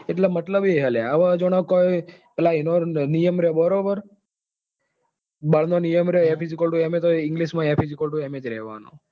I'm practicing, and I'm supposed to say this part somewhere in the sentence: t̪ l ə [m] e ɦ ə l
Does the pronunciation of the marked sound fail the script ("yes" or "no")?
yes